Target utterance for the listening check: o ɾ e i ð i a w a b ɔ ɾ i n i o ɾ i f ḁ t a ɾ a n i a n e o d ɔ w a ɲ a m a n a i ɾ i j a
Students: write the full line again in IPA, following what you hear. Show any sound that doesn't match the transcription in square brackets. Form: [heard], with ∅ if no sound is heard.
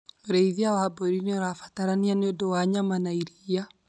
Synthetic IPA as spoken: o ɾ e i ð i a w a b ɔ ɾ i n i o ɾ [a] f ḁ t a ɾ a n i a n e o d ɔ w a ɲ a m a n a i ɾ i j a